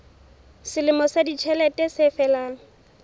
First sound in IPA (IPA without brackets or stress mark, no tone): s